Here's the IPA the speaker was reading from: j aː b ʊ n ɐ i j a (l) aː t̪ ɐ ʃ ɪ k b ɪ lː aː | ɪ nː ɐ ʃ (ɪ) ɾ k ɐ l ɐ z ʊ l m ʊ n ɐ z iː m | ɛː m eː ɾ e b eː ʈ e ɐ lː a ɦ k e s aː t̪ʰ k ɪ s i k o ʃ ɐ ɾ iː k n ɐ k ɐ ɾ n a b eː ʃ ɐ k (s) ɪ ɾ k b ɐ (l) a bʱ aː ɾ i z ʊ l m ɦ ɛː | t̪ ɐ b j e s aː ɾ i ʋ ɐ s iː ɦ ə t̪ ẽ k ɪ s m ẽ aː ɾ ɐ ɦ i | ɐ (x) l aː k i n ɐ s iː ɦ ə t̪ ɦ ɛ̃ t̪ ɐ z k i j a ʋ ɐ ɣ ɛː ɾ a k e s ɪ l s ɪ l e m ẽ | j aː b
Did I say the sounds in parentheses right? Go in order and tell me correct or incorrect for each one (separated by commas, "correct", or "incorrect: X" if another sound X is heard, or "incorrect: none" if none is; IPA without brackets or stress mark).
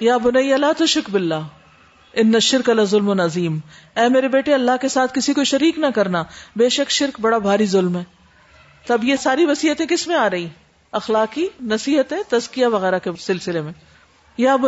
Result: correct, correct, incorrect: ʃ, incorrect: ɽ, correct